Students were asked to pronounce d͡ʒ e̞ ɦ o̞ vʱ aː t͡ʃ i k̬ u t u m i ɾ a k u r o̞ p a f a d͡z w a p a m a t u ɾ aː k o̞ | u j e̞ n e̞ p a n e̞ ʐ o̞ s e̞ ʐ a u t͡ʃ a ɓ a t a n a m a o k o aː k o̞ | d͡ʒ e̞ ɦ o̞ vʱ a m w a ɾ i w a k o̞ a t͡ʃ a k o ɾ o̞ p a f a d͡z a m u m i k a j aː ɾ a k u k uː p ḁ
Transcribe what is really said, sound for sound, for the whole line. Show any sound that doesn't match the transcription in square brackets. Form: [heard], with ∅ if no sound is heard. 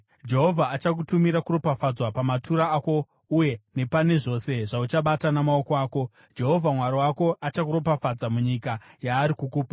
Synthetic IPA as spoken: d͡ʒ e̞ ɦ o̞ vʱ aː t͡ʃ [a] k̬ u t u m i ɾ a k u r o̞ p a f a d͡z w a p a m a t u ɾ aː k o̞ | u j e̞ n e̞ p a n e̞ ʐ o̞ s e̞ ʐ a u t͡ʃ a ɓ a t a n a m a o k o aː k o̞ | d͡ʒ e̞ ɦ o̞ vʱ a m w a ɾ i w a k o̞ a t͡ʃ a k [u] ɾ o̞ p a f a d͡z a m u [ɲ] i k a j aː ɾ [i] k u k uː p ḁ